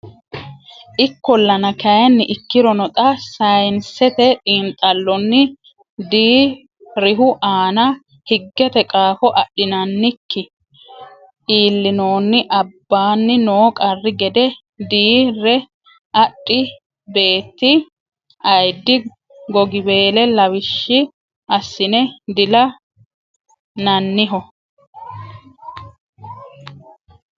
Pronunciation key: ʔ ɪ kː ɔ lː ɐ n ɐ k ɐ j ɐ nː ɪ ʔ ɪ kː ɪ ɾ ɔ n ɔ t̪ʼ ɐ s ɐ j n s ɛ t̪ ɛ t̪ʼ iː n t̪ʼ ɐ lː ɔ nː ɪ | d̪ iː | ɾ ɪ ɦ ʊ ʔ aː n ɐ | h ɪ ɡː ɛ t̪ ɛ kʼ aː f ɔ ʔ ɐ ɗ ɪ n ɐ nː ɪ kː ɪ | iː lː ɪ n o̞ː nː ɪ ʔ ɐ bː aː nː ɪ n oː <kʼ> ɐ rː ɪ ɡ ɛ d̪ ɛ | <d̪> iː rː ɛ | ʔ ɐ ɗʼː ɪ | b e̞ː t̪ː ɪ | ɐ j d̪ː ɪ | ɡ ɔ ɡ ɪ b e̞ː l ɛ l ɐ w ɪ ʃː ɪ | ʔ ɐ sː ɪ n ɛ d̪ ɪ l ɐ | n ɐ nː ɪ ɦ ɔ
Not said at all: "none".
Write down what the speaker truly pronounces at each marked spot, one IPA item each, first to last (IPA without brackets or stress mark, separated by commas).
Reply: kʼ, d̪